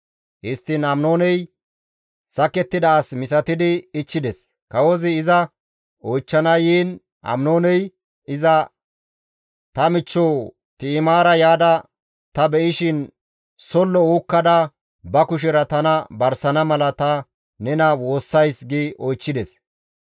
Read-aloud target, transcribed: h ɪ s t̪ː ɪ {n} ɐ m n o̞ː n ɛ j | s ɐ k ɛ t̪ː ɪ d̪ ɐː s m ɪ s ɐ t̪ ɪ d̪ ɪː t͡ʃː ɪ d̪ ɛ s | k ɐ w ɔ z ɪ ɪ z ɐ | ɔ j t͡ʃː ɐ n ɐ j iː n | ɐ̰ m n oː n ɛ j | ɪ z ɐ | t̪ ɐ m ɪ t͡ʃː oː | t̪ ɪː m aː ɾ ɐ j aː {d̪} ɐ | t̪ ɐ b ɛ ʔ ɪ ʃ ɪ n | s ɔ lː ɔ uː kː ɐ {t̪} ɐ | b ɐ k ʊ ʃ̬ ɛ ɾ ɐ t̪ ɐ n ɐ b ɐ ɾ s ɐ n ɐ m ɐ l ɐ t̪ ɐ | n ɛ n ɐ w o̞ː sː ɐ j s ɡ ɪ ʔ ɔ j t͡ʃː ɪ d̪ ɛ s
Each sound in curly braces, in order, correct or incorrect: correct, correct, incorrect: d̪

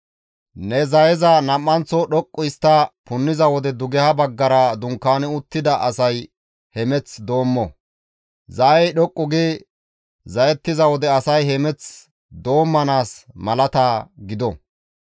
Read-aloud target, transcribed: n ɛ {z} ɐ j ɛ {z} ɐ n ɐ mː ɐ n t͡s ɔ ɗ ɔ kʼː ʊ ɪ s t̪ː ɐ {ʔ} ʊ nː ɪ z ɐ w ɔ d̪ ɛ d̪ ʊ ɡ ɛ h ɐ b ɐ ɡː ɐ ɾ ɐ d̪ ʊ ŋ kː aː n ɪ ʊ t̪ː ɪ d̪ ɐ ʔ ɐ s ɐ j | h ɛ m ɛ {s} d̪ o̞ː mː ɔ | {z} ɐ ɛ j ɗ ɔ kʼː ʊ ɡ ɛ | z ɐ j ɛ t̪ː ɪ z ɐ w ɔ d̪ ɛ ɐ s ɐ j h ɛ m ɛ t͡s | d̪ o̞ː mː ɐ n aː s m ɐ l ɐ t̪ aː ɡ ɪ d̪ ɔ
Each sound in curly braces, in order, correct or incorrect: correct, correct, incorrect: p, incorrect: t͡s, correct

